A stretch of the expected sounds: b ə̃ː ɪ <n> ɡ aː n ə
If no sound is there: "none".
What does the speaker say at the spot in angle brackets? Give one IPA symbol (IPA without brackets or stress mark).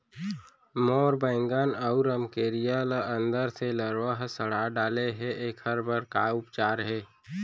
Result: ŋ